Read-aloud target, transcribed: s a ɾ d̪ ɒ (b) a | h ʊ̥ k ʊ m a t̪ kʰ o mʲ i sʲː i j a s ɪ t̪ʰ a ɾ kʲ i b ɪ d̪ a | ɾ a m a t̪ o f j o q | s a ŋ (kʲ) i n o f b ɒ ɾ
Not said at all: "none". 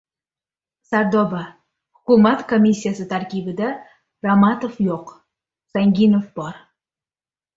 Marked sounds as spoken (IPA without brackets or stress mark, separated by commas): b, ɡʲ